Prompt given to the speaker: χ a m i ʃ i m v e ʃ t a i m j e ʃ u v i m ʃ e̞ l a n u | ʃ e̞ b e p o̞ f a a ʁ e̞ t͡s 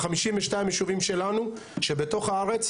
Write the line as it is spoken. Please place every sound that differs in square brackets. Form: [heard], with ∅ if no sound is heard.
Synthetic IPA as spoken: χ a m i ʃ i m v e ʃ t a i m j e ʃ u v i m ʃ e̞ l a n u | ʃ e̞ b e [t] o̞ [χ] a a ʁ e̞ t͡s